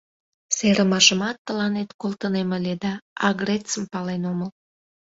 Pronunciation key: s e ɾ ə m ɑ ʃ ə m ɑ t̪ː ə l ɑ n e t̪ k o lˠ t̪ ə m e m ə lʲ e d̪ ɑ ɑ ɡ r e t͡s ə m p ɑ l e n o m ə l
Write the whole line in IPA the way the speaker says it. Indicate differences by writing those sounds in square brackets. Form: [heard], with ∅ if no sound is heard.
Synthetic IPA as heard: s e ɾ ə m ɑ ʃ ə m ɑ t̪ː ə l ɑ n e t̪ k o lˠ t̪ ə [n] e m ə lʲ e d̪ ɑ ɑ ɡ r e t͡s ə m p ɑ l e n o m ə l